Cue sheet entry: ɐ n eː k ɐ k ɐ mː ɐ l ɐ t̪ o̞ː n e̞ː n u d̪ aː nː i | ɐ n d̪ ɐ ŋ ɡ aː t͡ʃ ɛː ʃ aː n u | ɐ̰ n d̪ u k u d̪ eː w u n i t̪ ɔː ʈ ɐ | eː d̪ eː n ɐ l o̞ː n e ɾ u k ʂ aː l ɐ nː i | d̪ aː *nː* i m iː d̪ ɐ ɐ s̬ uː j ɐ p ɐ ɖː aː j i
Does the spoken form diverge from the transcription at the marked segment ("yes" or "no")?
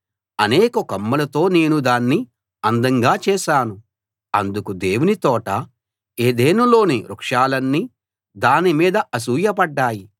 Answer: yes